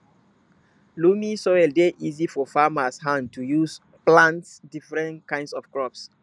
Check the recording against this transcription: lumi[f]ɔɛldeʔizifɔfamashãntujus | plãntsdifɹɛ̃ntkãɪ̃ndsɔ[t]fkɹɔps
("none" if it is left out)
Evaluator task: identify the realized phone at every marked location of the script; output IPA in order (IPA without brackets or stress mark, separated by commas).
s, none